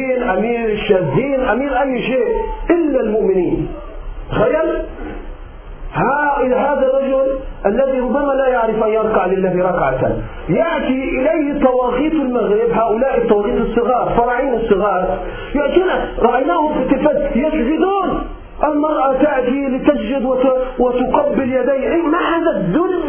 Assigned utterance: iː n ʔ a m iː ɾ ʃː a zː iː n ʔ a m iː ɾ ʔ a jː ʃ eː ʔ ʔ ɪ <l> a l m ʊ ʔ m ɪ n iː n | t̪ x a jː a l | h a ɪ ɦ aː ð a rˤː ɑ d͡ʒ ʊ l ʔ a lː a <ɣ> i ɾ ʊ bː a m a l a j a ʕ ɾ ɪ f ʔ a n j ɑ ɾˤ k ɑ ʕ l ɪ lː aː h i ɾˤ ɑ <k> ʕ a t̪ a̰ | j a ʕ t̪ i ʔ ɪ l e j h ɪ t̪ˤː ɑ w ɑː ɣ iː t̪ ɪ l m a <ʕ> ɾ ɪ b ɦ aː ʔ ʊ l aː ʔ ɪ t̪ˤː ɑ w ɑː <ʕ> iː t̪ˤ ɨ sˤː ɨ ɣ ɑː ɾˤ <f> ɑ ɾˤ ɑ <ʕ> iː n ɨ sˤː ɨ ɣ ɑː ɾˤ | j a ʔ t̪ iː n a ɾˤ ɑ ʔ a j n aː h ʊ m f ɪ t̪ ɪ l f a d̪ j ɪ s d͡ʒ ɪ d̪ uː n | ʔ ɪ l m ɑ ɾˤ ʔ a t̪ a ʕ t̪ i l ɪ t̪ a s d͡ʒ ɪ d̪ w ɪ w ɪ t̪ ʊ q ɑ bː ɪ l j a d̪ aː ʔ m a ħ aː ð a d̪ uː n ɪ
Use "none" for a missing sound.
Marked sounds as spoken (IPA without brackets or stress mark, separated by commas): lː, ð, k, ɣ, ɣ, f, ʕ